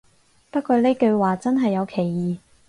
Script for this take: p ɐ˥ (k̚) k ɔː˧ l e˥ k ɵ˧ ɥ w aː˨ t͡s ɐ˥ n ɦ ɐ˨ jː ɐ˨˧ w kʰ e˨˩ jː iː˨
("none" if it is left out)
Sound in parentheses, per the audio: t̚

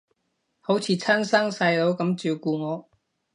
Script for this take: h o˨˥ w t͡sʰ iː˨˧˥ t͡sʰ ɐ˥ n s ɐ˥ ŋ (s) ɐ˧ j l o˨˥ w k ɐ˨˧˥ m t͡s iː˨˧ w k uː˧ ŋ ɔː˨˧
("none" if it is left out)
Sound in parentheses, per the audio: s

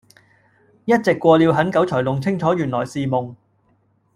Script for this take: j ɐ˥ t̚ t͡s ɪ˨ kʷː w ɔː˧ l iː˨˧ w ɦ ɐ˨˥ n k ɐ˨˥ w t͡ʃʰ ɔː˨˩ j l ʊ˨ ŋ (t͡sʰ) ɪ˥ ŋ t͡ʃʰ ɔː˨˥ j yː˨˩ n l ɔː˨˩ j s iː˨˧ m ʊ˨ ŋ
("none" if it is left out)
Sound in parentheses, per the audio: t͡sʰ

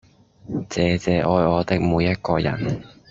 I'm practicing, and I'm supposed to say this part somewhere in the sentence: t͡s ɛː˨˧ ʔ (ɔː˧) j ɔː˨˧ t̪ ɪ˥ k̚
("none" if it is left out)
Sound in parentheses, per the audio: ɔː˧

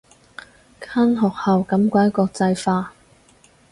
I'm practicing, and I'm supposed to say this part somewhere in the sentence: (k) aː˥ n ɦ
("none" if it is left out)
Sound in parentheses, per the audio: kʰ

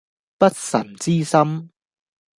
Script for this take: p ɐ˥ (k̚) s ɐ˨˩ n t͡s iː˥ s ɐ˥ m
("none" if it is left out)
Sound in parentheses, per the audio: t̚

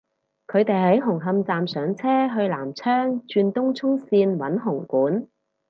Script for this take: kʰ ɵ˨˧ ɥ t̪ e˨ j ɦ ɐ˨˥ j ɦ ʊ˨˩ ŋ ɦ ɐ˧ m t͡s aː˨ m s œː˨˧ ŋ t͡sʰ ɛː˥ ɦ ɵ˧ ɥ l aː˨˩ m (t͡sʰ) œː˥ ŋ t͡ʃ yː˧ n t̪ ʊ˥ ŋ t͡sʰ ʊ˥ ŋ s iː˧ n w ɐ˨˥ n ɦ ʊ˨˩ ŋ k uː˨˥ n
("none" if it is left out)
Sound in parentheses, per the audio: t͡sʰ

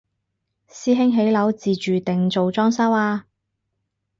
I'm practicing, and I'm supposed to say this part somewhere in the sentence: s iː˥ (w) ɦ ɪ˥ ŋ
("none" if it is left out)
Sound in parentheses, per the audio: none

